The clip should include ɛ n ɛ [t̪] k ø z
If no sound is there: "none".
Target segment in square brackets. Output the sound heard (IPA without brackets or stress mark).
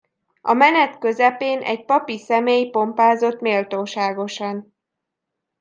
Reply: t̪